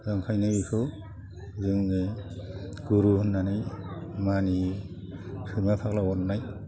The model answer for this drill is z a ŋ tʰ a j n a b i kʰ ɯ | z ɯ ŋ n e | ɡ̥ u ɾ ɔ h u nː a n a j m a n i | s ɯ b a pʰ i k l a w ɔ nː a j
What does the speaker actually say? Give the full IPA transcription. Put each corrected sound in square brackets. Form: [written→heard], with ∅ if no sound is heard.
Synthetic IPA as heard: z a ŋ [tʰ→kʰ] a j n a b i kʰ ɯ | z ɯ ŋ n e | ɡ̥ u ɾ [ɔ→u] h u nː a n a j m a n i | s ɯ [b→m] a pʰ [i→a] k l a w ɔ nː a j